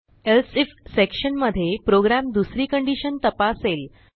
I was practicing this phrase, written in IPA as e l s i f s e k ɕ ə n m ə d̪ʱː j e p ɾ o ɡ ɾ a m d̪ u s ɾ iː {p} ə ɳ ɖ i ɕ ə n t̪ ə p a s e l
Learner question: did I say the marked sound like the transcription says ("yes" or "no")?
no